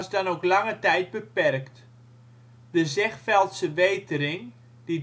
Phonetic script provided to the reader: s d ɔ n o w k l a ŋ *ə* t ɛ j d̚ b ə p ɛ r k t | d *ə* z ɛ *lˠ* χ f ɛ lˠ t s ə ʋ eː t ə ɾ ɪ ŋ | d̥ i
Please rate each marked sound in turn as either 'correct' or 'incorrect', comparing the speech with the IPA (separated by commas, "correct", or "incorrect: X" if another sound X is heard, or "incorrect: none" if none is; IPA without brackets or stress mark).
correct, correct, incorrect: none